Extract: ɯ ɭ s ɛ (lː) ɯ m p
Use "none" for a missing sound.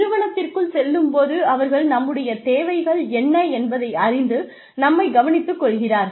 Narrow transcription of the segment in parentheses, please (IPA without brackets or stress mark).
lː